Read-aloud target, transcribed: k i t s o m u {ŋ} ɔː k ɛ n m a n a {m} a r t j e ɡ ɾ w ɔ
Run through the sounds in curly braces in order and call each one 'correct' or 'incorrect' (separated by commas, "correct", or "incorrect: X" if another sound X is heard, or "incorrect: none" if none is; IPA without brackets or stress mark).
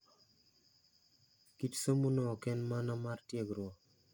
incorrect: n, correct